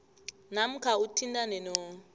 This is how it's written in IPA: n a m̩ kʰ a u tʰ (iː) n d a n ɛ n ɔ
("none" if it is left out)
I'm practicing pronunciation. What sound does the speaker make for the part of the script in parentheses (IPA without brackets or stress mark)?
i